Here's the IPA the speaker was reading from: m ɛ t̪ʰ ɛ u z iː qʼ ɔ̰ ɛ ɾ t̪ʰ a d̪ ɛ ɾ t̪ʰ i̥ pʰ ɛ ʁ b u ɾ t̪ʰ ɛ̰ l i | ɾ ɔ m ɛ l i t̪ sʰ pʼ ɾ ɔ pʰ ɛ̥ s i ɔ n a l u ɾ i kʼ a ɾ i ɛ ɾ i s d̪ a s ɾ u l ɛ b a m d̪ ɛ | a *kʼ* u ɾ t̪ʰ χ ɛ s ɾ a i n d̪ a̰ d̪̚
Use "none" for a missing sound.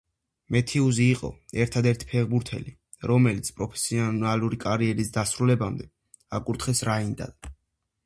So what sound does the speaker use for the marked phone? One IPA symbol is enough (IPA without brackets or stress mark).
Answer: kʼ